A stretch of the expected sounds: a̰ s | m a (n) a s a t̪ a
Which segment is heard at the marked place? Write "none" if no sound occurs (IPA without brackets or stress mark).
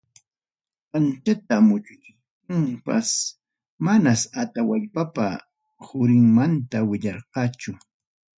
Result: n